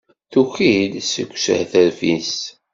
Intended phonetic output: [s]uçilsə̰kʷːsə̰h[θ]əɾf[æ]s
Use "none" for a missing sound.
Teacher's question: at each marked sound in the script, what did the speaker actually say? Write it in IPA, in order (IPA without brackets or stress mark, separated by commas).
θ, θ, i